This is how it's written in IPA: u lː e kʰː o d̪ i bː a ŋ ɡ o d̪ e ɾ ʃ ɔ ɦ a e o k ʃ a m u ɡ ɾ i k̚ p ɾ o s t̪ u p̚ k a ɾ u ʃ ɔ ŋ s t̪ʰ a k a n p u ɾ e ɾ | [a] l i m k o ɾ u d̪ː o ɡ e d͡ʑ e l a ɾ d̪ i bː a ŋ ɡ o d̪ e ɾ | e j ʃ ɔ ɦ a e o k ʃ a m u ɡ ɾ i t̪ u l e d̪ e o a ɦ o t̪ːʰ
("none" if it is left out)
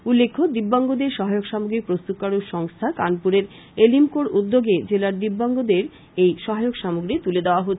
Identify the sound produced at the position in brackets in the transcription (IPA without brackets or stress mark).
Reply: e